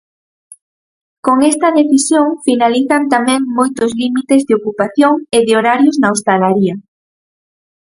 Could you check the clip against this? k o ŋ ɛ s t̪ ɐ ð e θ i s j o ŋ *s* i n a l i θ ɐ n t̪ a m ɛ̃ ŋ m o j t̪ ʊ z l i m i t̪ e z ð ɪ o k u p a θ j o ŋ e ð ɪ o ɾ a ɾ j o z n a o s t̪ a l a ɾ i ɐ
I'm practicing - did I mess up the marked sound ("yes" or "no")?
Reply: yes